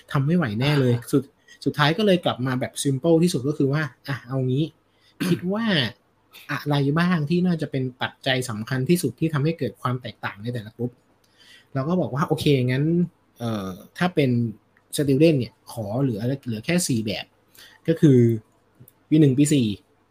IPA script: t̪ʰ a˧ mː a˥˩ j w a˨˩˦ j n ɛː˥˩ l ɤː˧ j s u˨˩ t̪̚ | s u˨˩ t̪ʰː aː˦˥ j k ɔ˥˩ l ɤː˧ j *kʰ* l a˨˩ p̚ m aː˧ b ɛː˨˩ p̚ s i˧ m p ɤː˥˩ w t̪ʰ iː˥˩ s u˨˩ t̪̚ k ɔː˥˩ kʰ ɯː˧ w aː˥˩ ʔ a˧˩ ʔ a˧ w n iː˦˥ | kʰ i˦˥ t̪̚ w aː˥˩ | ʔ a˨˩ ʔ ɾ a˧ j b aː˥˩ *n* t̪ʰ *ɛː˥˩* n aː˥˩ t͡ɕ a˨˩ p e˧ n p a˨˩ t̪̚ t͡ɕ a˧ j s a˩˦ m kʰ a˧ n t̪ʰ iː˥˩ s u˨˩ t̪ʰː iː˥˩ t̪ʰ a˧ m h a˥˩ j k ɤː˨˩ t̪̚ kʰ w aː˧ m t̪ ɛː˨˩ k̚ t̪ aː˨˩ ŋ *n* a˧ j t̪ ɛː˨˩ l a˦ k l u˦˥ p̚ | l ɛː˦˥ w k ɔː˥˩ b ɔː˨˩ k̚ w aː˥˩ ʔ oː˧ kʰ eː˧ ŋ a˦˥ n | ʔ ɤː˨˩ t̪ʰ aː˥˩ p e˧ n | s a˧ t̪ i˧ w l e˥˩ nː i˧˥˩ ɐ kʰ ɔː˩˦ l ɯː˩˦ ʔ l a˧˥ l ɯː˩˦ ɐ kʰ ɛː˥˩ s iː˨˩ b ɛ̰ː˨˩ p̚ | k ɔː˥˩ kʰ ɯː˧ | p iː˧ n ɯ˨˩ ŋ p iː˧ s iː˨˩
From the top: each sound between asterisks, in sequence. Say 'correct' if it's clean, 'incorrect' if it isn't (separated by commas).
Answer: incorrect, incorrect, incorrect, correct